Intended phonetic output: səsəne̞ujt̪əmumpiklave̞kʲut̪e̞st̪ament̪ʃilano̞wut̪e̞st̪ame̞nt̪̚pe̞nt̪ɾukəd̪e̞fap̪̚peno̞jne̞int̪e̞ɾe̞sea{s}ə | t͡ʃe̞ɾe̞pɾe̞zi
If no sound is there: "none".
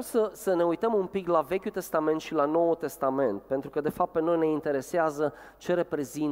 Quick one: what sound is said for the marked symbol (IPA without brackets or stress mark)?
z